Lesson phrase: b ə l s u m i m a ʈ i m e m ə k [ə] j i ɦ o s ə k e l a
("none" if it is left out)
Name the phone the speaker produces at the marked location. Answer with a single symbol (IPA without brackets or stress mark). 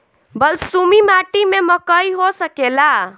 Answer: ə